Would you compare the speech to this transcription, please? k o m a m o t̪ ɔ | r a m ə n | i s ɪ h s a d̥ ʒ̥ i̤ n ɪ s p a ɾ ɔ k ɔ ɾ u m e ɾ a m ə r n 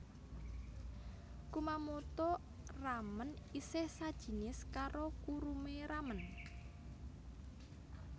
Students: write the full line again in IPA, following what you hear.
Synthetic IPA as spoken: k u m a m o t̪ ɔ | r a m ə n | i s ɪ h s a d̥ ʒ̥ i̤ n ɪ s k a ɾ o k u ɾ u m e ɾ a m ə n